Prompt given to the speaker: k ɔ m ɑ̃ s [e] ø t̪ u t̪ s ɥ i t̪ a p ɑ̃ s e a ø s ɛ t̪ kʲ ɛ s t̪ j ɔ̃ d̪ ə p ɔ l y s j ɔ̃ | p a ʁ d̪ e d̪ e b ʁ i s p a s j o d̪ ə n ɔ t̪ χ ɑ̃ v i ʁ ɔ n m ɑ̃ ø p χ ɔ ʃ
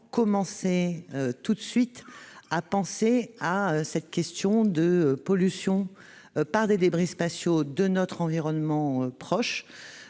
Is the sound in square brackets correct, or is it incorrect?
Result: correct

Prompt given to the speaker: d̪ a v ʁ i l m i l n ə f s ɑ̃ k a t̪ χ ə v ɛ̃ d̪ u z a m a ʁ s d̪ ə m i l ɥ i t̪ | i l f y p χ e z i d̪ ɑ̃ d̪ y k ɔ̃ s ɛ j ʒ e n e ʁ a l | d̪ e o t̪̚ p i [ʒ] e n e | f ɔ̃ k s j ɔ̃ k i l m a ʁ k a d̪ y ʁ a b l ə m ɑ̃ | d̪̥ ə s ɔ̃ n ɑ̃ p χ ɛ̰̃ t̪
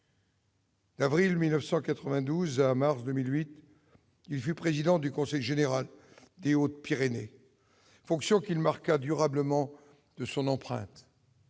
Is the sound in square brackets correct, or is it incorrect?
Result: incorrect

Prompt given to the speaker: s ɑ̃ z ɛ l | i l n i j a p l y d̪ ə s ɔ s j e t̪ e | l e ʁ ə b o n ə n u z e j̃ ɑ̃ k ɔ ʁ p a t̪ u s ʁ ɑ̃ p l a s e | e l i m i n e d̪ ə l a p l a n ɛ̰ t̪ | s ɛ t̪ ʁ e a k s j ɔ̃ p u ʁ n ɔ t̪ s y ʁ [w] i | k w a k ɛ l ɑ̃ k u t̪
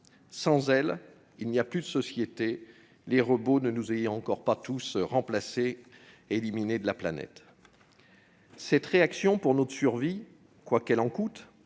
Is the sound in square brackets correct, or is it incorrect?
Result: incorrect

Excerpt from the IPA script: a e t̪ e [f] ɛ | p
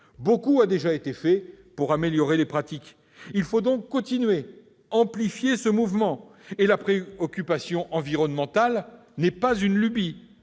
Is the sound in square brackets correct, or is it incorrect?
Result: correct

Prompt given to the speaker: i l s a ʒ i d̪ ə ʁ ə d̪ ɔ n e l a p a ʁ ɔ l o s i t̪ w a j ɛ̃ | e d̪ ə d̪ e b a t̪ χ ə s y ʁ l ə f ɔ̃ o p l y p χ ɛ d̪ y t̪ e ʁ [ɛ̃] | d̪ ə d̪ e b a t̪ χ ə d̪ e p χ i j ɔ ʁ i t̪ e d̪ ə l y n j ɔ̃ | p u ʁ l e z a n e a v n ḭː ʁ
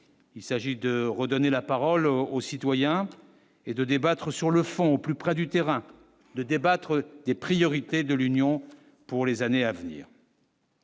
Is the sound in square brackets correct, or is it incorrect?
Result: correct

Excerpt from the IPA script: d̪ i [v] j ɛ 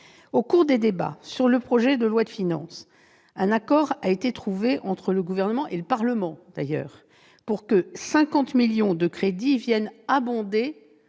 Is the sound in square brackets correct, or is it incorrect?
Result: correct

